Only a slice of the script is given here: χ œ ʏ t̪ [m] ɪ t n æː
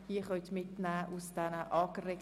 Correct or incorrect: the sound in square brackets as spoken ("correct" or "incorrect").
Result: correct